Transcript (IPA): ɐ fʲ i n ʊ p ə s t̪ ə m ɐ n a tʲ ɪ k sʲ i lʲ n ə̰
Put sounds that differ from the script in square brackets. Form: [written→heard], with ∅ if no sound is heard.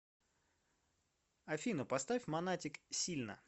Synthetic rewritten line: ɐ fʲ i n ʊ p [ə→ɐ] s t̪ [ə→a] m ɐ n a tʲ ɪ k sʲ i lʲ n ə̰